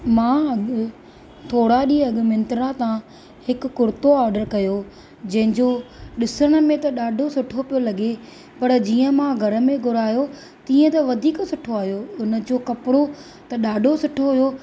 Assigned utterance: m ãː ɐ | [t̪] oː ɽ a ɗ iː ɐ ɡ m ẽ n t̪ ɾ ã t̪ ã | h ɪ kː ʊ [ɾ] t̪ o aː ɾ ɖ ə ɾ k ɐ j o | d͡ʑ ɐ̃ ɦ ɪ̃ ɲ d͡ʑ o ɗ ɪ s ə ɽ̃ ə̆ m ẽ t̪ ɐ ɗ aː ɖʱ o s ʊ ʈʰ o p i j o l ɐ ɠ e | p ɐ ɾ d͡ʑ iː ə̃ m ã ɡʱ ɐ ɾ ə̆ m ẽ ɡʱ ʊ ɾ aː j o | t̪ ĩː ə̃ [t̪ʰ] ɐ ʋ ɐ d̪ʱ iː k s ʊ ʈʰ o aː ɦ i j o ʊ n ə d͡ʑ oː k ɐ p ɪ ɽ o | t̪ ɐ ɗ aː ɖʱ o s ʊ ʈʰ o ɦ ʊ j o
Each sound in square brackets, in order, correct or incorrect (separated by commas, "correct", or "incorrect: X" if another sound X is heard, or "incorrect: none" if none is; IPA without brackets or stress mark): incorrect: t̪ʰ, correct, incorrect: t̪